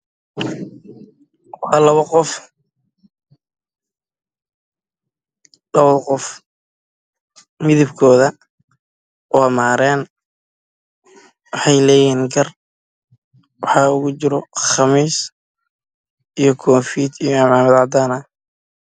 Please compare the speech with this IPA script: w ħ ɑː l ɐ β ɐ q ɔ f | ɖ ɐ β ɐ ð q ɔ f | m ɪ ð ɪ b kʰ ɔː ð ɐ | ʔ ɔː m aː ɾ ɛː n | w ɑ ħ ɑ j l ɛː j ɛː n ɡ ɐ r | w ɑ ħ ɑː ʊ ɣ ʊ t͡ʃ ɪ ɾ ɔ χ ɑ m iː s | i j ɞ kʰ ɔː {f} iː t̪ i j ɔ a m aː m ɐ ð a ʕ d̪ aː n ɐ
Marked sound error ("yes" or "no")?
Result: no